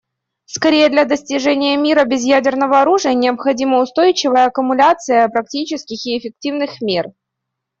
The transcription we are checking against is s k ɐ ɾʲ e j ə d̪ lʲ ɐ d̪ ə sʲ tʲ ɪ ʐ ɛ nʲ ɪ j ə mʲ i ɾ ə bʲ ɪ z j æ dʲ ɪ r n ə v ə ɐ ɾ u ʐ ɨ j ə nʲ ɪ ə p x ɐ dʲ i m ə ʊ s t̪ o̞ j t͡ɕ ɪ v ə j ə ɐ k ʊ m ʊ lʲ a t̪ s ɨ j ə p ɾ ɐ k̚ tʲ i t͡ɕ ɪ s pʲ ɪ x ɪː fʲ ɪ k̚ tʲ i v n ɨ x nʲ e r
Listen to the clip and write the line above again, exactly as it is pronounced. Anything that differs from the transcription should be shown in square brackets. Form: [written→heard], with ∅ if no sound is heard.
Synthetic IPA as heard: s k ɐ ɾʲ e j ə d̪ lʲ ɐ d̪ ə sʲ tʲ ɪ ʐ ɛ nʲ ɪ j ə mʲ i ɾ ə bʲ ɪ z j æ dʲ ɪ r n ə v ə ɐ ɾ u ʐ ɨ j ə nʲ ɪ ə p x ɐ dʲ i m ə ʊ s t̪ o̞ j t͡ɕ ɪ v ə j ə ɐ k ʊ m ʊ lʲ a t̪ s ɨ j ə p ɾ ɐ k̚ tʲ i t͡ɕ ɪ s [pʲ→kʲ] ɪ x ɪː fʲ ɪ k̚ tʲ i v n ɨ x [nʲ→mʲ] e r

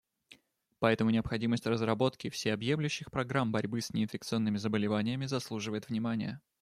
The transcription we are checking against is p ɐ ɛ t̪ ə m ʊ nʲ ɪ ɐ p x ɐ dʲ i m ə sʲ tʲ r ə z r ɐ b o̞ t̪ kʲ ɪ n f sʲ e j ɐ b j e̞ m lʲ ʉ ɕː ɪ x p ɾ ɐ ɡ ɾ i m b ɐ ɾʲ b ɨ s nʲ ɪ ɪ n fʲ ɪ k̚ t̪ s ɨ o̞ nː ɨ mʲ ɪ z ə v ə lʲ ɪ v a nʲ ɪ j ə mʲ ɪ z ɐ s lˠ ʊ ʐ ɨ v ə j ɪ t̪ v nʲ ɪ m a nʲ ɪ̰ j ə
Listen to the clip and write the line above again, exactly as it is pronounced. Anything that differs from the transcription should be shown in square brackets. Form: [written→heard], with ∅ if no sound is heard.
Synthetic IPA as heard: p ɐ ɛ t̪ ə m ʊ nʲ ɪ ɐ p x ɐ dʲ i m ə sʲ tʲ r ə z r ɐ b o̞ t̪ kʲ ɪ [n→∅] f sʲ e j ɐ b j e̞ m lʲ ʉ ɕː ɪ x p ɾ ɐ ɡ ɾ [i→a] m b ɐ ɾʲ b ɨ s nʲ ɪ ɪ n fʲ ɪ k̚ t̪ s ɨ o̞ nː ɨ mʲ ɪ z ə [v→b] ə lʲ ɪ v a nʲ ɪ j ə mʲ ɪ z ɐ s lˠ [ʊ→u] ʐ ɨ v ə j ɪ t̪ v nʲ ɪ m a nʲ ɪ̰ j ə

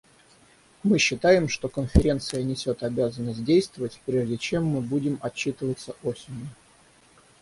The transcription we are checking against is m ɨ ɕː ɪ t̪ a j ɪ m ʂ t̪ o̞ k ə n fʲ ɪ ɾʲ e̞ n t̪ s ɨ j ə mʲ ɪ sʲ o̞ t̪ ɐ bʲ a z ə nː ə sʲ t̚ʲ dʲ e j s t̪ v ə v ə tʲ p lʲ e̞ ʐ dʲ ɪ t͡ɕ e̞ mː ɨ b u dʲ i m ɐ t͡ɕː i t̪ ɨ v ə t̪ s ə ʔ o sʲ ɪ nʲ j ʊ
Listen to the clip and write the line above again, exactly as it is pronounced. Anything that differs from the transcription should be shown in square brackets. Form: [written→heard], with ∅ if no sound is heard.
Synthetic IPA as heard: m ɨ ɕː ɪ t̪ a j ɪ m ʂ t̪ o̞ k ə n fʲ ɪ ɾʲ e̞ n t̪ s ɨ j ə [mʲ→nʲ] ɪ sʲ o̞ t̪ ɐ bʲ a z ə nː ə sʲ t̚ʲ dʲ e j s t̪ v ə v ə tʲ p [lʲ→ɾʲ] e̞ ʐ dʲ ɪ t͡ɕ e̞ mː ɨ b u dʲ [i→ɪ] m ɐ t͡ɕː i t̪ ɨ v ə t̪ s ə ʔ o sʲ ɪ nʲ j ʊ

